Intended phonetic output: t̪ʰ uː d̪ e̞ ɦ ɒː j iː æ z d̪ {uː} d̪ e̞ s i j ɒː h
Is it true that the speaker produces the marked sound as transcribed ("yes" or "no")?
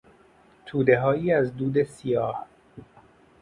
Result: yes